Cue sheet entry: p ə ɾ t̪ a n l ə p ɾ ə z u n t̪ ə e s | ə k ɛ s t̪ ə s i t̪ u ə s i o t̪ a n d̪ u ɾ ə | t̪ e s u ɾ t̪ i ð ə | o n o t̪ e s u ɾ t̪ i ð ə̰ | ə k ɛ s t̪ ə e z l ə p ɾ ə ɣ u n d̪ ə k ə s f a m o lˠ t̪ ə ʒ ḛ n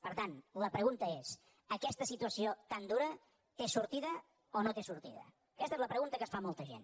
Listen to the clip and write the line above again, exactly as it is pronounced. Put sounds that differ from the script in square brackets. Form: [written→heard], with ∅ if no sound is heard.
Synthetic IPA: p ə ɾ t̪ a n l ə p ɾ ə [z→ɣ] u n t̪ ə e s | ə k ɛ s t̪ ə s i t̪ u ə s i o t̪ a n d̪ u ɾ ə | t̪ e s u ɾ t̪ i ð ə | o n o t̪ e s u ɾ t̪ i ð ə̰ | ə k ɛ s t̪ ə e z l ə p ɾ ə ɣ u n [d̪→t̪] ə k ə s f a m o lˠ t̪ ə ʒ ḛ n